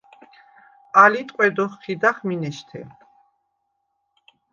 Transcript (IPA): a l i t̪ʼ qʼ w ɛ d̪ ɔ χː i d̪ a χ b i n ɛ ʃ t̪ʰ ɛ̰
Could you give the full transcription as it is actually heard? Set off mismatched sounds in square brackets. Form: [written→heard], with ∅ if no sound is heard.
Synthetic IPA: a l i t̪ʼ qʼ w ɛ d̪ ɔ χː i d̪ a χ [b→m] i n ɛ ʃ t̪ʰ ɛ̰